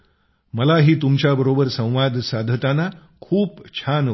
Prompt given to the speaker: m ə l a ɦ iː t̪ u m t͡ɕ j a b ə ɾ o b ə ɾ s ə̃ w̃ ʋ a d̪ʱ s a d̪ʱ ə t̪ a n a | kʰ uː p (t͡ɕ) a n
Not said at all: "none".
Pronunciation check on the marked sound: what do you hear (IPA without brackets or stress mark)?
t͡ɕʰ